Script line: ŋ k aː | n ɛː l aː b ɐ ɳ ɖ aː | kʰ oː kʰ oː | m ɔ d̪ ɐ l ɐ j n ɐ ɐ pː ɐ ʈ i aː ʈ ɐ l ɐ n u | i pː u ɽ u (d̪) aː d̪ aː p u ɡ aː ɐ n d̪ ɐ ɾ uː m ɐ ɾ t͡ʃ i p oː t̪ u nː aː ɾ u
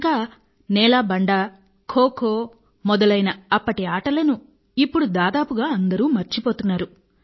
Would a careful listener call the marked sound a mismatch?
no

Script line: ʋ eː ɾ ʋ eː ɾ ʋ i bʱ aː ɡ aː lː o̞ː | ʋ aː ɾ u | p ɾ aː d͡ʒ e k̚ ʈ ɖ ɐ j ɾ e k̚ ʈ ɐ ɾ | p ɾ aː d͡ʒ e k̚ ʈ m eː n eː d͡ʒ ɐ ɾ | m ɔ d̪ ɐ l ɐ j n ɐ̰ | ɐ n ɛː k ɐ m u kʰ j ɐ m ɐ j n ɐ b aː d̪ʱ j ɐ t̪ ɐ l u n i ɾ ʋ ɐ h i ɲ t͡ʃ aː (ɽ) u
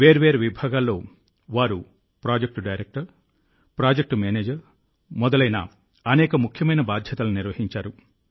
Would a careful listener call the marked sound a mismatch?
yes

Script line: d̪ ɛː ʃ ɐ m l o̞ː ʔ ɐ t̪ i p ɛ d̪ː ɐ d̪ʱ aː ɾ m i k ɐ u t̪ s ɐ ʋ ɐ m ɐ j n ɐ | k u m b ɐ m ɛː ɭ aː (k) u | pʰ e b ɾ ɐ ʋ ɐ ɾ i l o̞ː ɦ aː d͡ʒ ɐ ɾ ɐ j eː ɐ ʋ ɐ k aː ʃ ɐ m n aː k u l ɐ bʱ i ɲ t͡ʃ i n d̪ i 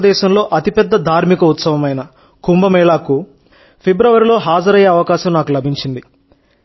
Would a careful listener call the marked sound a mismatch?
no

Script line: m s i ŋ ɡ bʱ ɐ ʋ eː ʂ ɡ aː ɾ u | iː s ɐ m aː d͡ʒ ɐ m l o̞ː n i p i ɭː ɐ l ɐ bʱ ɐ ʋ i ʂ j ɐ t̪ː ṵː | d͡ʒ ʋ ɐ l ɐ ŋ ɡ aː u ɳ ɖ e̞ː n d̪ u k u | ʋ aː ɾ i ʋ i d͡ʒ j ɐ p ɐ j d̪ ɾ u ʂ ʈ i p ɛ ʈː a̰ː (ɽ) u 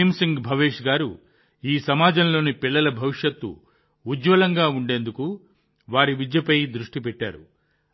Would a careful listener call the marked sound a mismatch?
yes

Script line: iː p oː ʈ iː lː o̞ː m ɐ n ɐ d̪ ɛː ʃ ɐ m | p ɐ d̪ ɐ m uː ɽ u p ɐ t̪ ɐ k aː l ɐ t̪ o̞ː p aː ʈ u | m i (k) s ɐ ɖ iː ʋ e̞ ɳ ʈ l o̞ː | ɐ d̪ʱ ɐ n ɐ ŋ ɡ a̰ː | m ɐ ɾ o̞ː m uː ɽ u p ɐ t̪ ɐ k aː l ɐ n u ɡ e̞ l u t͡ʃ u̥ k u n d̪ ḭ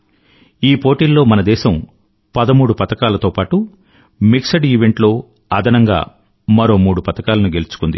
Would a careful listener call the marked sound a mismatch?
no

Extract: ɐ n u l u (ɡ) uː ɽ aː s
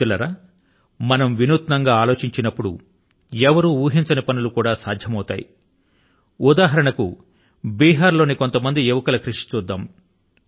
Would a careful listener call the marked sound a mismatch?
yes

